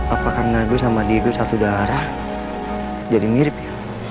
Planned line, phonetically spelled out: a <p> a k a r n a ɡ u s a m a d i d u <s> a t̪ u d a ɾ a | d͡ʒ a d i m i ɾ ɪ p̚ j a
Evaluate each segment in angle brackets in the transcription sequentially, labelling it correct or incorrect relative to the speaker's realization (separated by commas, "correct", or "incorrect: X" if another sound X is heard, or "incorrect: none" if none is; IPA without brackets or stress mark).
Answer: correct, correct